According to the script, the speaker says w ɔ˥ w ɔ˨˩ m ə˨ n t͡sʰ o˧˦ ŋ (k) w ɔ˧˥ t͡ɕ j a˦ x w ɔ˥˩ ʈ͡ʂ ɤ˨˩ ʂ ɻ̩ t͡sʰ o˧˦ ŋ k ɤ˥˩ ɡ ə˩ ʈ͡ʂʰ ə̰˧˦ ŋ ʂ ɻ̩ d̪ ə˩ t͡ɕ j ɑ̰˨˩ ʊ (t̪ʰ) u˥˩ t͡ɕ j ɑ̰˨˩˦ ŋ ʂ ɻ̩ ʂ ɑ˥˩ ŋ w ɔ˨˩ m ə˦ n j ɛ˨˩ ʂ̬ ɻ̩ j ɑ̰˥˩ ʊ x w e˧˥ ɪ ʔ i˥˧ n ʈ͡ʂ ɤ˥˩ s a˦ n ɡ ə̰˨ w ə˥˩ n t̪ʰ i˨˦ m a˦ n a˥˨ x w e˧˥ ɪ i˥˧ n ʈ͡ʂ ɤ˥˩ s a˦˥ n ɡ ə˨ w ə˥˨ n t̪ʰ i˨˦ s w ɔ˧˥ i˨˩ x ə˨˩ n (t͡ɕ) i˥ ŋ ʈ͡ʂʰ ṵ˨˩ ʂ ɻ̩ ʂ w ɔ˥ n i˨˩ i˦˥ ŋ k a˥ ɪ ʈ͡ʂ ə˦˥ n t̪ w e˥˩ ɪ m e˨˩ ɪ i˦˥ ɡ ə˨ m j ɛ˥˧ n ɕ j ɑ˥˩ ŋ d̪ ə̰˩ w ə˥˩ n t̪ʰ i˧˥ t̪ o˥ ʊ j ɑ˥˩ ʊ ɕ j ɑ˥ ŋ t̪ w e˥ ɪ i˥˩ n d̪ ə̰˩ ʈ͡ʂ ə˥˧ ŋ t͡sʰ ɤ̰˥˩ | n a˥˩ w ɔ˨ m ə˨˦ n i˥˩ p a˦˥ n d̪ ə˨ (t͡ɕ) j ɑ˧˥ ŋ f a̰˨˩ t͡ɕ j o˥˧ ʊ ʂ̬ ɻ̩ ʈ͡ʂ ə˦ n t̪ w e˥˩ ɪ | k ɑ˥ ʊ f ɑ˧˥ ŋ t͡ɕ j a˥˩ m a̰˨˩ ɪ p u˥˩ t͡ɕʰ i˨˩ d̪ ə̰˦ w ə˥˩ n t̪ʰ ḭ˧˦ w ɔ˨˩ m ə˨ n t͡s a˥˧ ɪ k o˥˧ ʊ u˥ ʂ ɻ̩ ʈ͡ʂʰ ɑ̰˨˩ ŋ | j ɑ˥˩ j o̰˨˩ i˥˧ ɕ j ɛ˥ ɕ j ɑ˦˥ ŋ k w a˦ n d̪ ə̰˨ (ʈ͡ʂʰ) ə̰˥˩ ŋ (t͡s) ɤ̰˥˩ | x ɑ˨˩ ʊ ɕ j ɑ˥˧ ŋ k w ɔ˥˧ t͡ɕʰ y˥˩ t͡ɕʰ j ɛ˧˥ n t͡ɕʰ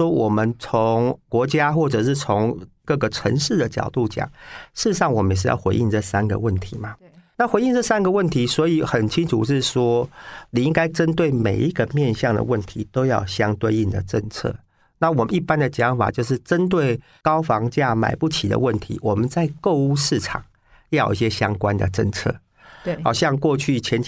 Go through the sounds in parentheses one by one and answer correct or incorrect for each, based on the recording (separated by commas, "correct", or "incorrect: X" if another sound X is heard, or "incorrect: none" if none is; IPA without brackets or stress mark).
correct, incorrect: t̪, incorrect: t͡ɕʰ, correct, incorrect: ʈ͡ʂ, incorrect: t͡sʰ